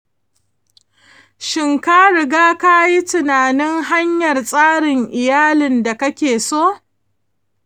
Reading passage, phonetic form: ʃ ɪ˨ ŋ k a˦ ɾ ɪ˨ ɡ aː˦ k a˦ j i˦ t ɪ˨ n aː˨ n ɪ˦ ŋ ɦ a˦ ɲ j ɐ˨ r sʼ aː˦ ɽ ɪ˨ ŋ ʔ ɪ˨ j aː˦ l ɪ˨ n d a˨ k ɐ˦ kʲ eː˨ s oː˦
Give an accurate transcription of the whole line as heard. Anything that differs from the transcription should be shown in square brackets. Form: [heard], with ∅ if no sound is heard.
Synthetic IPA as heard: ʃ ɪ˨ ŋ k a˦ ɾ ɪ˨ ɡ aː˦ k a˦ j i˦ t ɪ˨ n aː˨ n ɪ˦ ŋ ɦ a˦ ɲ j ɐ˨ r sʼ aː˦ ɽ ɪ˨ ŋ ʔ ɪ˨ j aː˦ l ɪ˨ n d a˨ k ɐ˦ kʲ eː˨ s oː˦